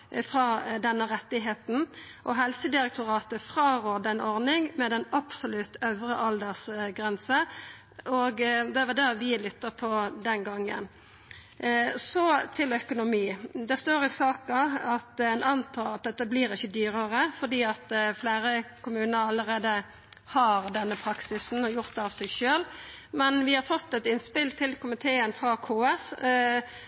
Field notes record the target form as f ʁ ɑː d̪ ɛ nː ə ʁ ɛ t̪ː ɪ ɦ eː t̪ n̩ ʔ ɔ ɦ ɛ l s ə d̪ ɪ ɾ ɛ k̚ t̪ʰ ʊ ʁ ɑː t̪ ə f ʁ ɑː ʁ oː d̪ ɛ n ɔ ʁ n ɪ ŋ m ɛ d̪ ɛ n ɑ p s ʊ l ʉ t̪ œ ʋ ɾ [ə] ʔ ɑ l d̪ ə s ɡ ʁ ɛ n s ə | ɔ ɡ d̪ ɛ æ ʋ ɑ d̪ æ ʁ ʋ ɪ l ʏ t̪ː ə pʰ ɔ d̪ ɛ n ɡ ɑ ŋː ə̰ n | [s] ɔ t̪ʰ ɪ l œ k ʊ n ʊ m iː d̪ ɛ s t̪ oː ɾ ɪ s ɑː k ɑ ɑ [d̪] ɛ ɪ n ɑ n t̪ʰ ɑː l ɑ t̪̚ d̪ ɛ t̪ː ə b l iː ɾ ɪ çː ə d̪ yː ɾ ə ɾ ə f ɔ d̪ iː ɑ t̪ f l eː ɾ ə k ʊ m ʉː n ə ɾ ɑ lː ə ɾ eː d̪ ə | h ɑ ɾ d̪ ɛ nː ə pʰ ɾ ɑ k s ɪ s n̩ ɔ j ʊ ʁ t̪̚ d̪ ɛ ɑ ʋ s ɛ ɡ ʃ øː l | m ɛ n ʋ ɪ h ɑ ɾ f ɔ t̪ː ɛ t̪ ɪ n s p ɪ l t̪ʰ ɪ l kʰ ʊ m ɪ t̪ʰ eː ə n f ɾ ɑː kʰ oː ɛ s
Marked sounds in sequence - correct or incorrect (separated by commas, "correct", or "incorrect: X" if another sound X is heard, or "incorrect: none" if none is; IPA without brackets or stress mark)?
correct, correct, incorrect: t̪